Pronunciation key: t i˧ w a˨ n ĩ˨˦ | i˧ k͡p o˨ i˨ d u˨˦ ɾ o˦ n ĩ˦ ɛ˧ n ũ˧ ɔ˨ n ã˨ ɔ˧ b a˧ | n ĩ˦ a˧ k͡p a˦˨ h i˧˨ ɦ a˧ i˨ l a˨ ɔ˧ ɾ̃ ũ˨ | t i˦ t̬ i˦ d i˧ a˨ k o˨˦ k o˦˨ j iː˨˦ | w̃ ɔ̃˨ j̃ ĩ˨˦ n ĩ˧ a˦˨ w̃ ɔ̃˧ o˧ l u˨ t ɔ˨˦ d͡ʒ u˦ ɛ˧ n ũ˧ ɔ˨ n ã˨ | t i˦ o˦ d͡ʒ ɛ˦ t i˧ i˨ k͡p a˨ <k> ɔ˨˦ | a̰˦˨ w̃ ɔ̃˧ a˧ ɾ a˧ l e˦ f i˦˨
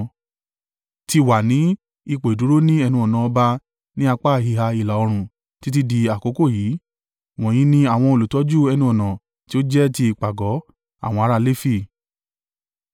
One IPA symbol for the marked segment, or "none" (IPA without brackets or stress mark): ɡ